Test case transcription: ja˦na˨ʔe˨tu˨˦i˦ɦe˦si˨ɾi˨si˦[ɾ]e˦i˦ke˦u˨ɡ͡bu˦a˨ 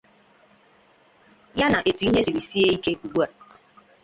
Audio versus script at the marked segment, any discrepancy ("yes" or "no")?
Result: yes